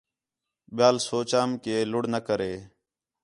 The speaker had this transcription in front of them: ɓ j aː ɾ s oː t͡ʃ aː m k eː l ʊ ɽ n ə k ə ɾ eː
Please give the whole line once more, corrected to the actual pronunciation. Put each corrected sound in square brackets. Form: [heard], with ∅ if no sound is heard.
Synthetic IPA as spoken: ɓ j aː [l] s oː t͡ʃ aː m k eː l ʊ ɽ n ə k ə ɾ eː